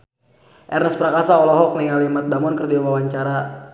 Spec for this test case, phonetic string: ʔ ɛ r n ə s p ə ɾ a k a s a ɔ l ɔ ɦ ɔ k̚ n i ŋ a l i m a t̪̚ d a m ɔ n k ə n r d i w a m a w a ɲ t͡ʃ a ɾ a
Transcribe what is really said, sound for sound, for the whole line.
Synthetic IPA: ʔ ɛ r n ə s p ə ɾ a k a s a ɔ l ɔ ɦ ɔ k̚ n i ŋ a l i m a t̪̚ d a m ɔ n k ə r d i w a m a w a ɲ t͡ʃ a ɾ a